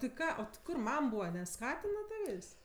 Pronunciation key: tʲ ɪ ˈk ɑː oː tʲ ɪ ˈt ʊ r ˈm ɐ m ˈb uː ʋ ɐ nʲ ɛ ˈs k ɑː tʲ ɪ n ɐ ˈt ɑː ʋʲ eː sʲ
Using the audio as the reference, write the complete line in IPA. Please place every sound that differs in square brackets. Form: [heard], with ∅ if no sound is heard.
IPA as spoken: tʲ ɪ ˈk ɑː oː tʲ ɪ [ˈk] ʊ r ˈm ɐ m ˈb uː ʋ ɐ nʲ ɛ ˈs k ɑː tʲ ɪ n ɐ ˈt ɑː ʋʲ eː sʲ